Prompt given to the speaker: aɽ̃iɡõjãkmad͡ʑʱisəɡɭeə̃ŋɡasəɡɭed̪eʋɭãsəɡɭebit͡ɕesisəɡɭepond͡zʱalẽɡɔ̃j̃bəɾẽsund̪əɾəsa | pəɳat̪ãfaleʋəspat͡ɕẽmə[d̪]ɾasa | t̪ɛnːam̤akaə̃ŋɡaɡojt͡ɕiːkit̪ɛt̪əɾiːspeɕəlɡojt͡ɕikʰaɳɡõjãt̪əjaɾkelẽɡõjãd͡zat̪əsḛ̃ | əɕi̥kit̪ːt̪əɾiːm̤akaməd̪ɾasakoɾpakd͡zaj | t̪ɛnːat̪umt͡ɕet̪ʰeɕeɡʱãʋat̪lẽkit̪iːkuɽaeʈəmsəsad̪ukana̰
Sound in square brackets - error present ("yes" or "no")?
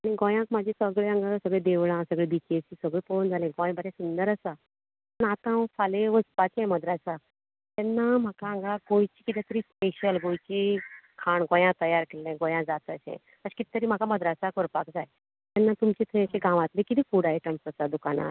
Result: no